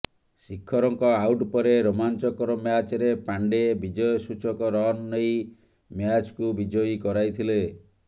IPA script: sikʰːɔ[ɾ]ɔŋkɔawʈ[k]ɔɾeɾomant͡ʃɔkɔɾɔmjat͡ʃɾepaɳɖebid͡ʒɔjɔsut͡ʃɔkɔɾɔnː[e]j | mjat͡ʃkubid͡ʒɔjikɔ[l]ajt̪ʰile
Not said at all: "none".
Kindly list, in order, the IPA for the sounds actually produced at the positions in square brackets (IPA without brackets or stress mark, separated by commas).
ɾ, p, e, ɾ